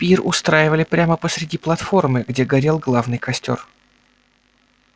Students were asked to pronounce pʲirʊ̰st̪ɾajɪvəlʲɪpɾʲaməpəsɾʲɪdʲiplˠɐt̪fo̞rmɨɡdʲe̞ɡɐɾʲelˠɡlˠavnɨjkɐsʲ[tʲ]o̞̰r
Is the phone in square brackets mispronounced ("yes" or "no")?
no